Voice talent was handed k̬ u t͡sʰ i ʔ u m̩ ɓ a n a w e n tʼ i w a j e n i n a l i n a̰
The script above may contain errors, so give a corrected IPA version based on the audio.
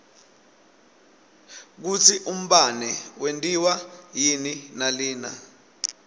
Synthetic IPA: k̬ u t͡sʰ i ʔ u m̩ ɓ a n ɛ w e n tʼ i w a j i n i n a l iː n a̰